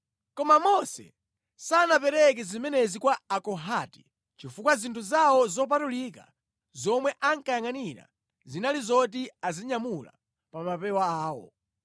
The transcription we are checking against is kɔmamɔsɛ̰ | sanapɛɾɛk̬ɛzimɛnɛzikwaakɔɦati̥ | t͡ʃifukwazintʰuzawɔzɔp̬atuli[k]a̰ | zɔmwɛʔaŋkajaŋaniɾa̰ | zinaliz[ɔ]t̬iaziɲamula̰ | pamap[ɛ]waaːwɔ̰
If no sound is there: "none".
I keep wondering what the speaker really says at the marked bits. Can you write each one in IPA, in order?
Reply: k, ɔ, ɛ

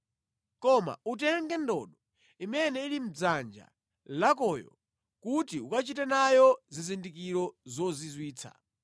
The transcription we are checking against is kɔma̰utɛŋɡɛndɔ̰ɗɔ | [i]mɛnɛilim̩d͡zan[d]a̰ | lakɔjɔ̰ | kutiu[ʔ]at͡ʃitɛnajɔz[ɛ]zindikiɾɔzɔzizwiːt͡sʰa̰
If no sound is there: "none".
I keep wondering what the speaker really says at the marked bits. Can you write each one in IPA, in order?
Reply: i, d͡ʒ, k, i

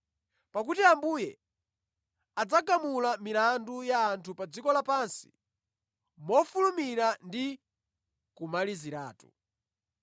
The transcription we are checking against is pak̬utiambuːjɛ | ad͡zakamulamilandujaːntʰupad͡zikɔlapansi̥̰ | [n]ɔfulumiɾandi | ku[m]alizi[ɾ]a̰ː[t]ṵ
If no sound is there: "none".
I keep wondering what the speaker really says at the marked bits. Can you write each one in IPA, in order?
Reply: m, m, ɾ, t

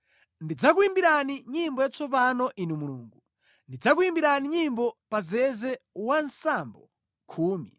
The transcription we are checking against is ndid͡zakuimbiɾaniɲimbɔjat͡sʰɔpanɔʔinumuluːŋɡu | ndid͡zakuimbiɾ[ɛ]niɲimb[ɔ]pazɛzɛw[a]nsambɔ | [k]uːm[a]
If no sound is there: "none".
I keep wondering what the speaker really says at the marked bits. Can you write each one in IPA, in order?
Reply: a, ɔ, a, kʰ, i

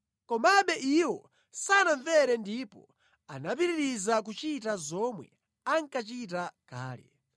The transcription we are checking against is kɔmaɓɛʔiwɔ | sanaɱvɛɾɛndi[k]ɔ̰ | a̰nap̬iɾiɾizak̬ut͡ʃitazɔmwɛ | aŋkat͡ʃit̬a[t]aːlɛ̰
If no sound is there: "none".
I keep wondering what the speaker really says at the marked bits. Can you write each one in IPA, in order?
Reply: p, k

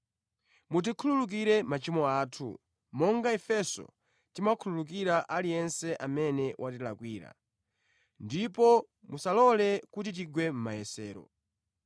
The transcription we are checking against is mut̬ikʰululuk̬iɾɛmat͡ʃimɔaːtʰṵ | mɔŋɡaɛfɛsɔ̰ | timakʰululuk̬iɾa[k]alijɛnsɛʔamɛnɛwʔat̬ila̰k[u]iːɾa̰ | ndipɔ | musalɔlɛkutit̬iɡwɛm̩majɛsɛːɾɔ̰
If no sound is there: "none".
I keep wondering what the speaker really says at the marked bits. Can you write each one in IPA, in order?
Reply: ʔ, w

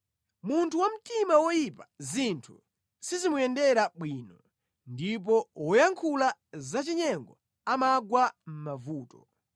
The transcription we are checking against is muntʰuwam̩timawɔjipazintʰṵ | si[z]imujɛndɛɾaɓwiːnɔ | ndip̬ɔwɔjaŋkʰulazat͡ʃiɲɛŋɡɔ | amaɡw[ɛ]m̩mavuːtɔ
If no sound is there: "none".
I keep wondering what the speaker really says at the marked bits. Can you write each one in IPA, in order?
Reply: z, a

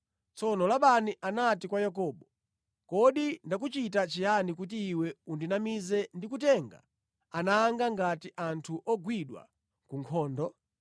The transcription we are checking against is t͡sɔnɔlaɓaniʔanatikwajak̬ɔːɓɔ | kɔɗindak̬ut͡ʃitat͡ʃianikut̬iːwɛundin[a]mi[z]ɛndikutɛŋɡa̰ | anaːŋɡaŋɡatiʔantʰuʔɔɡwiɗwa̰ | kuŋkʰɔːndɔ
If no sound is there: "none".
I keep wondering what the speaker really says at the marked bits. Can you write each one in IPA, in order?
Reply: a, z

